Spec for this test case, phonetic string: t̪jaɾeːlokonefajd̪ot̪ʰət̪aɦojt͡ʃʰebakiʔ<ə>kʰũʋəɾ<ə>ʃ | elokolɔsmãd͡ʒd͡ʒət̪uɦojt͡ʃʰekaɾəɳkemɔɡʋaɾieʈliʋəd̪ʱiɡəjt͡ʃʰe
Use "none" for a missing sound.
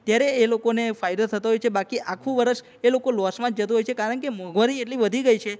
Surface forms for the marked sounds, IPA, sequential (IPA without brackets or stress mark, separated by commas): a, ə